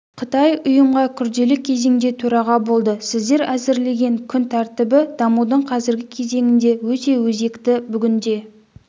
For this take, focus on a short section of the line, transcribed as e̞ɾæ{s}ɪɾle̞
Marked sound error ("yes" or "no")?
yes